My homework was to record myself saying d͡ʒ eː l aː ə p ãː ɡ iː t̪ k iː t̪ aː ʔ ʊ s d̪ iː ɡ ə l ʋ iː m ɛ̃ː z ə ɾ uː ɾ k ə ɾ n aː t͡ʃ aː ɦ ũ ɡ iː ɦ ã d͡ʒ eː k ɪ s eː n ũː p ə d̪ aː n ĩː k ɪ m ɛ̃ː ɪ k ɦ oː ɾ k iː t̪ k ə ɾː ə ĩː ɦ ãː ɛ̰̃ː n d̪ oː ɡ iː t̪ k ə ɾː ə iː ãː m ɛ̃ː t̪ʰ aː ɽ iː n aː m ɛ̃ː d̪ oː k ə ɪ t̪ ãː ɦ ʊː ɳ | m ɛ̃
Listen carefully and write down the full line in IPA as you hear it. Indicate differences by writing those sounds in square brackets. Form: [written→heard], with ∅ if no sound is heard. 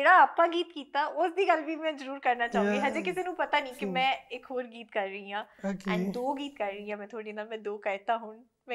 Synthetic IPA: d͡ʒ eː [l→ɽ] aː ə p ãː ɡ iː t̪ k iː t̪ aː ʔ ʊ s d̪ iː ɡ ə l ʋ iː m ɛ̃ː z ə ɾ uː ɾ k ə ɾ n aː t͡ʃ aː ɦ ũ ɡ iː ɦ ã d͡ʒ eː k ɪ s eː n ũː p ə [d̪→t̪] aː n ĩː k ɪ m ɛ̃ː ɪ k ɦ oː ɾ [k→ɡ] iː t̪ k ə ɾː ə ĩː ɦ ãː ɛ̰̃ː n d̪ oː ɡ iː t̪ k ə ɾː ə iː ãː m ɛ̃ː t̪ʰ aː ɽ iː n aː m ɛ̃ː d̪ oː k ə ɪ t̪ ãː ɦ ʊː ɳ | m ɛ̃